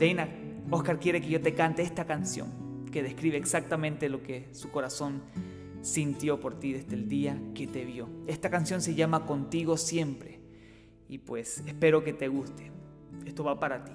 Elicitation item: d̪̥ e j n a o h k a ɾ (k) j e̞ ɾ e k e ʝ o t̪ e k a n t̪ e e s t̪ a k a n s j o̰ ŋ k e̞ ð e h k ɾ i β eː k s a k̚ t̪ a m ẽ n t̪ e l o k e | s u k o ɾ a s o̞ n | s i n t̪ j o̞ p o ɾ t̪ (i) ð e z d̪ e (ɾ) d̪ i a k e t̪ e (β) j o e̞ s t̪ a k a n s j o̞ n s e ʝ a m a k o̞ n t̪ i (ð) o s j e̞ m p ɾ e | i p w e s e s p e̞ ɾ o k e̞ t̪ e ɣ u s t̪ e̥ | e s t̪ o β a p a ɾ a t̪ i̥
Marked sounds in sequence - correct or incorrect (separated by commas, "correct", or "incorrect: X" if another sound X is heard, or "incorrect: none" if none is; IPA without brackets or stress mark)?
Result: correct, correct, incorrect: l, correct, incorrect: ɣ